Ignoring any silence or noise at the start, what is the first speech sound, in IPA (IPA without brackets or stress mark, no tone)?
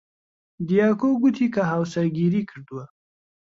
d̪